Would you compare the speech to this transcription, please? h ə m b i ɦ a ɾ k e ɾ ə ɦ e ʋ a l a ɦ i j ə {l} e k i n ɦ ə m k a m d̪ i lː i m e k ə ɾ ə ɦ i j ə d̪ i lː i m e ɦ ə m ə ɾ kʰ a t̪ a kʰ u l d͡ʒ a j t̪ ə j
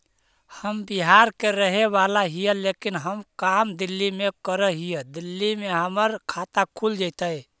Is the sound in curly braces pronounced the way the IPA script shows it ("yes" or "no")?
yes